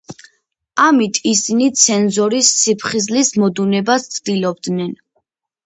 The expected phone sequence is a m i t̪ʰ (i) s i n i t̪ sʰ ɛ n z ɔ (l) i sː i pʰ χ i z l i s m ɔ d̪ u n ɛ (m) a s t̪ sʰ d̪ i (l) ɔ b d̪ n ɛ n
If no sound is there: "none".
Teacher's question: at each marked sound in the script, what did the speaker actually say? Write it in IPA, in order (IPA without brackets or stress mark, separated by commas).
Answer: i, ɾ, b, l